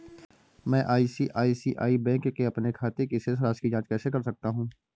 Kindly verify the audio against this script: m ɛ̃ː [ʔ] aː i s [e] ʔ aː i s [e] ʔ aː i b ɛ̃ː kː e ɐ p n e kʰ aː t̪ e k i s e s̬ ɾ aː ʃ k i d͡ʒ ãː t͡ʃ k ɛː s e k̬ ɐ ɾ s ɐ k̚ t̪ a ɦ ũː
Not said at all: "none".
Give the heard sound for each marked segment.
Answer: ʔ, i, i

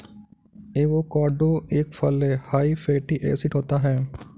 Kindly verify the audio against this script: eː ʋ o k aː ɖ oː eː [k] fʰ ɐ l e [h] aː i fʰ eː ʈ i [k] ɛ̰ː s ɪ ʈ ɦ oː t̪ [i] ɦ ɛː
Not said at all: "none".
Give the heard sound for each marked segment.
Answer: k, h, ʔ, a

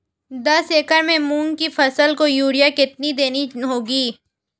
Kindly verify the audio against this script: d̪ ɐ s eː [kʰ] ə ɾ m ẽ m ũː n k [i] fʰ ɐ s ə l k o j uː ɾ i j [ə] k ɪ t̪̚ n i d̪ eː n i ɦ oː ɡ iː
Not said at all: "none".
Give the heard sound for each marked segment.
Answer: k, i, a

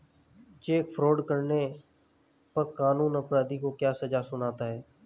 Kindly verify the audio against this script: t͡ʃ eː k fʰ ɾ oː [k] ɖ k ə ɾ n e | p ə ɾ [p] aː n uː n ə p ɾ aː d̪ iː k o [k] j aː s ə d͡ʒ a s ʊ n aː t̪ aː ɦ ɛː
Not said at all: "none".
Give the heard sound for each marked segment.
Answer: none, k, k

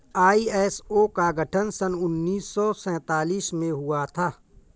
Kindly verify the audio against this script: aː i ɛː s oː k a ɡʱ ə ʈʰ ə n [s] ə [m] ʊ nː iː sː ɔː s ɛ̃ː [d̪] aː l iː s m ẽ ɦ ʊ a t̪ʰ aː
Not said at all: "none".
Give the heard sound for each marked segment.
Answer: s, n, t̪

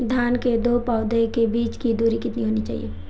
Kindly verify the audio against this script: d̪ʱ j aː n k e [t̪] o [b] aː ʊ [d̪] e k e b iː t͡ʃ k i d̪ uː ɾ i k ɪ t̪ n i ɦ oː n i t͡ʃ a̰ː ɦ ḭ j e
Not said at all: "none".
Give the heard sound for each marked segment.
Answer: d̪, p, d̪

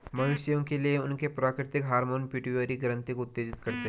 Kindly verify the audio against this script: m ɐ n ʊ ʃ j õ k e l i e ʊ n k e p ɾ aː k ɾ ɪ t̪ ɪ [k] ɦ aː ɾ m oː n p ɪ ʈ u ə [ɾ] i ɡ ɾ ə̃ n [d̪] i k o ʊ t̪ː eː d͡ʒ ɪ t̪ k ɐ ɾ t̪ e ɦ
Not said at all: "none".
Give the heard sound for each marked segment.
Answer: k, ɾ, t̪

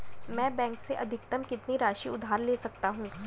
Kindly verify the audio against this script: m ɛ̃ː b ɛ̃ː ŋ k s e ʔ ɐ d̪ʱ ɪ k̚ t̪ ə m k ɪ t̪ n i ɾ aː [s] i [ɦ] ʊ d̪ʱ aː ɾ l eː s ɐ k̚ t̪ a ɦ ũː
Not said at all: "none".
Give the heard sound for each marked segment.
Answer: ʃ, none

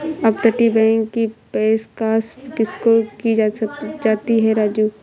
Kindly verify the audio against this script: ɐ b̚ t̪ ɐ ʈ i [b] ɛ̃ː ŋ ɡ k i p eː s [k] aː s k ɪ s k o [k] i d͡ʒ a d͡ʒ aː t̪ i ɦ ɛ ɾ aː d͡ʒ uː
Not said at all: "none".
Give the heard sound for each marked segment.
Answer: b, k, k

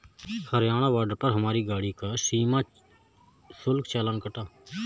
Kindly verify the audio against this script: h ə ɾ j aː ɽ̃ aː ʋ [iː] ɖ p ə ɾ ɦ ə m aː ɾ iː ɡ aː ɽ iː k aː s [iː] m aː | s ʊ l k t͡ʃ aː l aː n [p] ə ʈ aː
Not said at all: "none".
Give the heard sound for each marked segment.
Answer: aː, iː, k

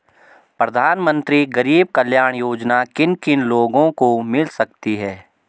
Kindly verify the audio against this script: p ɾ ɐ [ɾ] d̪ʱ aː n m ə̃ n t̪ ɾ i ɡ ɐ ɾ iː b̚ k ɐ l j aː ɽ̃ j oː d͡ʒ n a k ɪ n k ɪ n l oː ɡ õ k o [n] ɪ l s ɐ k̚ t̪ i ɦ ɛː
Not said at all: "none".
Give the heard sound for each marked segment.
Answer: none, m

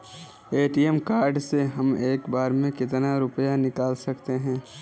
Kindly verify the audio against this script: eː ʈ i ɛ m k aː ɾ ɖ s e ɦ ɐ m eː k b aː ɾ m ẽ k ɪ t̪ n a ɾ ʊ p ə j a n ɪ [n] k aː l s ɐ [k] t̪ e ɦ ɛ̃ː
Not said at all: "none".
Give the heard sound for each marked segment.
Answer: none, k

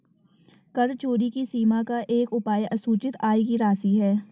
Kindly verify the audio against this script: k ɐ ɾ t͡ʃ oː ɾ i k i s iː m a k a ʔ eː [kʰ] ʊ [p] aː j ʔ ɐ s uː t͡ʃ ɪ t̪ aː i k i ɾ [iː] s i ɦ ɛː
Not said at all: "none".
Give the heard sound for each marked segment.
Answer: k, p, aː

